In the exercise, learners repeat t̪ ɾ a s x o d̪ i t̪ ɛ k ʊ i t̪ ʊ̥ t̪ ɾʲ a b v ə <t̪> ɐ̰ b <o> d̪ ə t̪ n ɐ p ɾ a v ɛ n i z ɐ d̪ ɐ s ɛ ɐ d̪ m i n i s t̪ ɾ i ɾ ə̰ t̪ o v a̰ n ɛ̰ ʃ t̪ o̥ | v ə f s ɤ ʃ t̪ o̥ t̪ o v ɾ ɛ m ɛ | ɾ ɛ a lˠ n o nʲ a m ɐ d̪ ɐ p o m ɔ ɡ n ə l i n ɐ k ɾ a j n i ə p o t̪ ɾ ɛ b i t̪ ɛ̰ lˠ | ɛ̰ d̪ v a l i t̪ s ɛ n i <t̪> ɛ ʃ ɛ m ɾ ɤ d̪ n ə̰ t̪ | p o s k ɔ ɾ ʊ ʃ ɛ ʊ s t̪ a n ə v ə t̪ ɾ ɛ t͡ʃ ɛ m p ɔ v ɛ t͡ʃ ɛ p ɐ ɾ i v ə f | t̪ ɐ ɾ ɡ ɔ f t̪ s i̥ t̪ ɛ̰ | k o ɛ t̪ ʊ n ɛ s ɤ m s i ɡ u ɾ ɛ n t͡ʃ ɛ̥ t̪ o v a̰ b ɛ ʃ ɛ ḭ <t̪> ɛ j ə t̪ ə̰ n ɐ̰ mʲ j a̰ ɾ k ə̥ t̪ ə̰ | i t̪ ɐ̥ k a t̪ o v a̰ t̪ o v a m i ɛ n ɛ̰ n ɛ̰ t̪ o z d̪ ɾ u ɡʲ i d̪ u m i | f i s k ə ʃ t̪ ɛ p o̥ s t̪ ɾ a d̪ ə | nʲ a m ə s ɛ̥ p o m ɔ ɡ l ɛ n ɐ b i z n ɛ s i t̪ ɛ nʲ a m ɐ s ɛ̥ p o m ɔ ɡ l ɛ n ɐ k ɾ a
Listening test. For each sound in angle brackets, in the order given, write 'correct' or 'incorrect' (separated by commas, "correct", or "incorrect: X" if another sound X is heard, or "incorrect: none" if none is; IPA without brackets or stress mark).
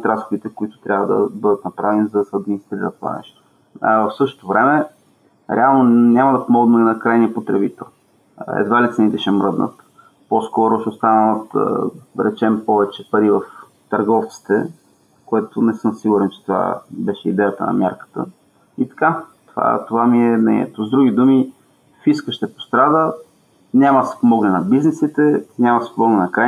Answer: incorrect: d̪, incorrect: ɤ, correct, incorrect: d̪